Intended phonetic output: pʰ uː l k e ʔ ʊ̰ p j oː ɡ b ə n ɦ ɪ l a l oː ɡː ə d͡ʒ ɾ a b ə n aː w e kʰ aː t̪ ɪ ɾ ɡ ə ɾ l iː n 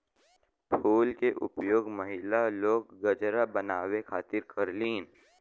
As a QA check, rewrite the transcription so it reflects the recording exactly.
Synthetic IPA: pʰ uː l k e ʔ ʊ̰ p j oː ɡ m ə ɦ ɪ l a l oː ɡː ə d͡ʒ ɾ a b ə n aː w e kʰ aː t̪ ɪ ɾ k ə ɾ l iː n